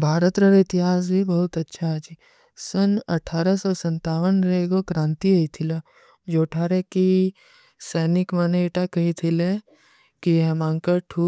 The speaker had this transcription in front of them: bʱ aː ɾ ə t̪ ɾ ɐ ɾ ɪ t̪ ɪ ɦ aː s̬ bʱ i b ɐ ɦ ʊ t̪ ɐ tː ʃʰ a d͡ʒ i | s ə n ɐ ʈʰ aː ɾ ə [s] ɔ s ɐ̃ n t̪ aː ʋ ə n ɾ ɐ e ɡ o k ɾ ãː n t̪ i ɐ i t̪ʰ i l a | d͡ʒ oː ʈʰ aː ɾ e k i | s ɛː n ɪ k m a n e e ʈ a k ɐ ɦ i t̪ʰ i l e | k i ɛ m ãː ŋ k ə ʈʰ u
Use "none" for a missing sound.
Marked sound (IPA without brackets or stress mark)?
s